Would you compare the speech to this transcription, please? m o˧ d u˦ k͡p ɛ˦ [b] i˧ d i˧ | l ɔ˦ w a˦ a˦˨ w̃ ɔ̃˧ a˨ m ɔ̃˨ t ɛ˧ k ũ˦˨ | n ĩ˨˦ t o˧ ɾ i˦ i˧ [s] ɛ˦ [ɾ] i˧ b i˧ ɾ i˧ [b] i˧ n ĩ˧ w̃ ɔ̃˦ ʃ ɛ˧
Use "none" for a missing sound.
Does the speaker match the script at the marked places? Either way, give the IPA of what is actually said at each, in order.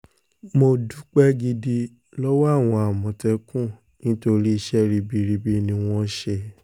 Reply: ɡ, ʃ, ɾ, b

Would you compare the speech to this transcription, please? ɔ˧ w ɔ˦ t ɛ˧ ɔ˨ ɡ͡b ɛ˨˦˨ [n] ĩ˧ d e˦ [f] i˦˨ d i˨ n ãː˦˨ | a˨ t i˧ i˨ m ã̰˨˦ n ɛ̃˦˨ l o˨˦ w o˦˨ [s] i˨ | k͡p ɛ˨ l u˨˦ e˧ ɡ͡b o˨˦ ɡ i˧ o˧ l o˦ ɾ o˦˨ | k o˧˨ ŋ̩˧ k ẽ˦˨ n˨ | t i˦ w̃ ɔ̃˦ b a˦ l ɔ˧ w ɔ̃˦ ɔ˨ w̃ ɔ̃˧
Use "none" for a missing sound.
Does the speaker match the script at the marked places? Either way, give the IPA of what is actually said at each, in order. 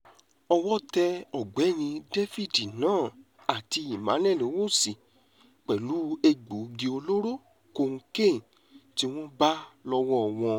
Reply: n, f, s

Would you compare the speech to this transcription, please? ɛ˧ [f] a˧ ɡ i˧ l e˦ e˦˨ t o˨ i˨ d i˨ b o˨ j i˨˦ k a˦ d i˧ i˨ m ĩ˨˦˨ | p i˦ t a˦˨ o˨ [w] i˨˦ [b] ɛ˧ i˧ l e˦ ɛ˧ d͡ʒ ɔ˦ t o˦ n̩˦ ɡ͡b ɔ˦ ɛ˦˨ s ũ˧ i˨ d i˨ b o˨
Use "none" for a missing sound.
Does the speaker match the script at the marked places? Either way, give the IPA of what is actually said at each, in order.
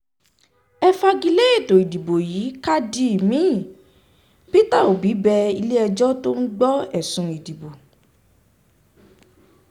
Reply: f, b, b

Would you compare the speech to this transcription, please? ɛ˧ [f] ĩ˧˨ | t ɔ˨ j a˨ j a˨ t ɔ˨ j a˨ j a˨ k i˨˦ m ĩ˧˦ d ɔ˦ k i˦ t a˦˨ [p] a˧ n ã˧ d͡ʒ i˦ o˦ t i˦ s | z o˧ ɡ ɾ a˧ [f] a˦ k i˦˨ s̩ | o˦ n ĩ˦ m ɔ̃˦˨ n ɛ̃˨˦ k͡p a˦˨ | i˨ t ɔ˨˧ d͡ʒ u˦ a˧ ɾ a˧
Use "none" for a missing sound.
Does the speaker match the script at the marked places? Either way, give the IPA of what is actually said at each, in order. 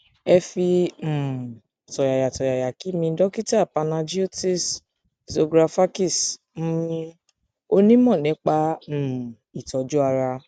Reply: f, p, f

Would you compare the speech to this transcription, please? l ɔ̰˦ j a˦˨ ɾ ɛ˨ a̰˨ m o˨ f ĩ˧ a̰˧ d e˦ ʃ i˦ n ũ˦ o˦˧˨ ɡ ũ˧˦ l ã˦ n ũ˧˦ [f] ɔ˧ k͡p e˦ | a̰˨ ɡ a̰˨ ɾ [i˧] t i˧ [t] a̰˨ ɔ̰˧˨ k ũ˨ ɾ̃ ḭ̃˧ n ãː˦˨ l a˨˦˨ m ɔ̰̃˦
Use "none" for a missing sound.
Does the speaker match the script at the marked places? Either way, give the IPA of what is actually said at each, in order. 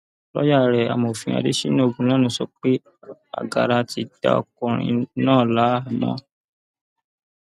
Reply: s, a˧, d

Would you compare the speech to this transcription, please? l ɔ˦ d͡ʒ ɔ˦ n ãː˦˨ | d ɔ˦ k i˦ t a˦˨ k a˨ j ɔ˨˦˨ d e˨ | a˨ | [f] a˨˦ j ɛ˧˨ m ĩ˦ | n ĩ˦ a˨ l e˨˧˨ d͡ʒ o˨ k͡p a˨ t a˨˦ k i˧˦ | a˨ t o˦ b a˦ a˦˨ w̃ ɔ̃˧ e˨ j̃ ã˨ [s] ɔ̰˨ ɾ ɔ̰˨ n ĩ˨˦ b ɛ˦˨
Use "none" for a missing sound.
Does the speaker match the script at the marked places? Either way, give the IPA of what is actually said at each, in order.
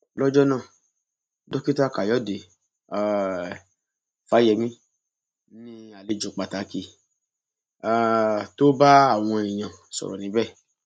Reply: f, s

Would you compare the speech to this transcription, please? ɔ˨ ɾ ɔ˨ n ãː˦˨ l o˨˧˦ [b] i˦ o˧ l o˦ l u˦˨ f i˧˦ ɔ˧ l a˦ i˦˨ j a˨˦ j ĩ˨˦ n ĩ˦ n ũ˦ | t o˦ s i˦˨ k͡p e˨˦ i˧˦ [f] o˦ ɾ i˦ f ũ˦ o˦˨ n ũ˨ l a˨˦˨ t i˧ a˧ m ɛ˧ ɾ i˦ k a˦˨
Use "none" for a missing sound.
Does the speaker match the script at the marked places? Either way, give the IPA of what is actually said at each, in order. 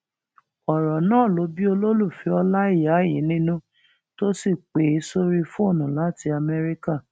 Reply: b, s

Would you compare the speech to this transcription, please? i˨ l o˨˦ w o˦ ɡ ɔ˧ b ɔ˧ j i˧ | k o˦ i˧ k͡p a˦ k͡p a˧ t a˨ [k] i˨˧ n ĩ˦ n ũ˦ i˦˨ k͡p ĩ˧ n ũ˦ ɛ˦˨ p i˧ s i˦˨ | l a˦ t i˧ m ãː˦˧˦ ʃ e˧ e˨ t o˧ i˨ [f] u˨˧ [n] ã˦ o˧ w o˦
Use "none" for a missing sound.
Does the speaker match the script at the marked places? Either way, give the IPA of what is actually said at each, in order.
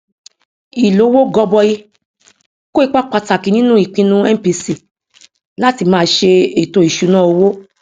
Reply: k, ʃ, n

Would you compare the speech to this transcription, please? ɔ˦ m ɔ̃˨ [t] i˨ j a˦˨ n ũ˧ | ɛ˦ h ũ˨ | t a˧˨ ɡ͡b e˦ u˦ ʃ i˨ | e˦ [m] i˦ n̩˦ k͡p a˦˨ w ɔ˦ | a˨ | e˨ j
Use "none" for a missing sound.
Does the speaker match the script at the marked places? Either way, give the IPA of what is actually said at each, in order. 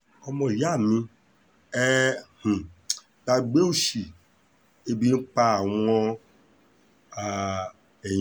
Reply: none, b

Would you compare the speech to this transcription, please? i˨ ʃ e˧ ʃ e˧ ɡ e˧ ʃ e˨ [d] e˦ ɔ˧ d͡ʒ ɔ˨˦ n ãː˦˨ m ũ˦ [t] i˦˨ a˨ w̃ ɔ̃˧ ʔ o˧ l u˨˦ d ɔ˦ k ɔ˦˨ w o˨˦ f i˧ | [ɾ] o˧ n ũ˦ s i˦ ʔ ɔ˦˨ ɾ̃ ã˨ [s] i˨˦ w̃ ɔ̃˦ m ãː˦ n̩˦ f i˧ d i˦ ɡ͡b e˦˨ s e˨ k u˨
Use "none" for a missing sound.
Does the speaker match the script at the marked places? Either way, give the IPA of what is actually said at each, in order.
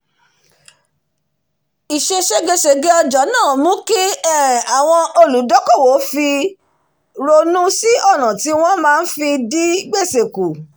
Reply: ɡ, k, ɾ, t

